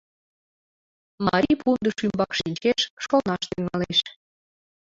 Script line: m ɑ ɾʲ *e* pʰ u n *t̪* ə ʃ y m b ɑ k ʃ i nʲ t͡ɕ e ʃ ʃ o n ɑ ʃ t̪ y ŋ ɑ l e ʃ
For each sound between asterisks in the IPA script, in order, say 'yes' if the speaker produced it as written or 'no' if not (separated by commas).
no, no